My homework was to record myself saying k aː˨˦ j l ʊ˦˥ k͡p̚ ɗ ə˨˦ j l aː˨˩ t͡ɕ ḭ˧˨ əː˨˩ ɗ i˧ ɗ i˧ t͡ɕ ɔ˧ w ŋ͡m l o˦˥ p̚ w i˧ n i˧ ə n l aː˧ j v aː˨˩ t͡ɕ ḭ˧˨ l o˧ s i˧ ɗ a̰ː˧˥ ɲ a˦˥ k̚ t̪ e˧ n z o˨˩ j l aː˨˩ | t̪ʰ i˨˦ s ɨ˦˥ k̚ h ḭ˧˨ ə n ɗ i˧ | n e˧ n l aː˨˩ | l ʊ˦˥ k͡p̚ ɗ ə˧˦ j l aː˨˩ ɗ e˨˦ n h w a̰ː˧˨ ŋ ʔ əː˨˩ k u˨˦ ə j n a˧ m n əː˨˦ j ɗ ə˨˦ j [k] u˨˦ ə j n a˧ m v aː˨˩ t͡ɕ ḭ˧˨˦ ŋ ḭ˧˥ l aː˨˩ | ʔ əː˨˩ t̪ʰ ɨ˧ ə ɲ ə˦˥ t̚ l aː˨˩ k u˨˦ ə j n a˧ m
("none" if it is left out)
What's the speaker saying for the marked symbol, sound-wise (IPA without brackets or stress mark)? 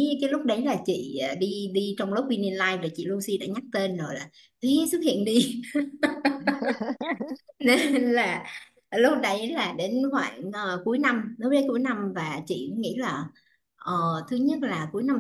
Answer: k